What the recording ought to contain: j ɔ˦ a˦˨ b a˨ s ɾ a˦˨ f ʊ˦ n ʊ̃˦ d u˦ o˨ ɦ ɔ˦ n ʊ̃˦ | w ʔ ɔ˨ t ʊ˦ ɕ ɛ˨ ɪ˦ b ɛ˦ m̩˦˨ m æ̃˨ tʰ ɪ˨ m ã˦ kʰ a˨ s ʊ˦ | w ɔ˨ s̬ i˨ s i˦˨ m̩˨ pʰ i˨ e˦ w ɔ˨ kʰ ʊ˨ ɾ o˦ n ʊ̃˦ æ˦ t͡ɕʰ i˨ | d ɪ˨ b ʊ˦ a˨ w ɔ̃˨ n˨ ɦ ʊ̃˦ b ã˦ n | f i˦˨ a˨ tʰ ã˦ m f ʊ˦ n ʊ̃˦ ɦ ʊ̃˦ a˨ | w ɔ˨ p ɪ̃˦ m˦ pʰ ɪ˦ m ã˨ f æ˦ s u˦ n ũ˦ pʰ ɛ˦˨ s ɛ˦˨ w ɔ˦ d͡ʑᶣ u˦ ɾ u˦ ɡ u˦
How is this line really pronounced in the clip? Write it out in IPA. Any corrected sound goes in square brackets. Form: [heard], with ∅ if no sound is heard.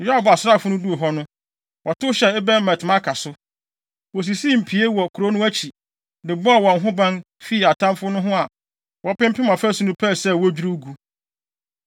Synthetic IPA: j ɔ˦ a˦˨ b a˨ s ɾ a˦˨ f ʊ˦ n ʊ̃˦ d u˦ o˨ ɦ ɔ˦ n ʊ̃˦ | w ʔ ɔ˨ t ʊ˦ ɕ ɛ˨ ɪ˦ b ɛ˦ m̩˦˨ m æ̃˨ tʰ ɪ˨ m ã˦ kʰ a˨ s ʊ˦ | w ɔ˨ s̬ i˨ s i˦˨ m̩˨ pʰ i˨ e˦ w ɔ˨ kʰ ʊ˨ ɾ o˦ n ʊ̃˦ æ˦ t͡ɕʰ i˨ | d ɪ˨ b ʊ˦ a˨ w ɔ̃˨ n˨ ɦ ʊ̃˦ b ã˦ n | f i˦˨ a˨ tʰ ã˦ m f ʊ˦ n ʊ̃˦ ɦ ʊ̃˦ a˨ | w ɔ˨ p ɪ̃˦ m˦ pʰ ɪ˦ m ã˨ f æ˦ s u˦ n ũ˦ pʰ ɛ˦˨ s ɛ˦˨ w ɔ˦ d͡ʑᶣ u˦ ɾ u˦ ɡ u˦